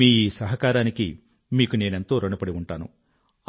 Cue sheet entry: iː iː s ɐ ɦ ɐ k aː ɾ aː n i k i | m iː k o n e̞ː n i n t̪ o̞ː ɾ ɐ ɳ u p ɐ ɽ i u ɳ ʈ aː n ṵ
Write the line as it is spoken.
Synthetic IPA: iː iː s ɐ ɦ ɐ k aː ɾ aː n i k i | m iː k u n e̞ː n e n t̪ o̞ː ɾ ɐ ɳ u p ɐ ɽ i u ɳ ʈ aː n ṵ